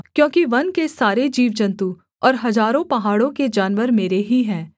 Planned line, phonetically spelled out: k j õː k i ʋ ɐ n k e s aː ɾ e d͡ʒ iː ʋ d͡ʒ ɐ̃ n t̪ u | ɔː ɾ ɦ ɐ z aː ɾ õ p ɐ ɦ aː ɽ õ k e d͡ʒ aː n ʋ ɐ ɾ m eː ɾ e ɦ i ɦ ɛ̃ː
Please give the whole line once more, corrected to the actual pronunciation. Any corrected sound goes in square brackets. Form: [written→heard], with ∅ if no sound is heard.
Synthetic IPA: k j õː k i ʋ ɐ n k e s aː ɾ e d͡ʒ iː ʋ d͡ʒ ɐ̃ n t̪ u | ɔː ɾ ɦ ɐ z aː ɾ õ p ɐ ɦ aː ɽ õ k e d͡ʒ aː n ʋ [ɐ→ə] ɾ m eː ɾ e ɦ i ɦ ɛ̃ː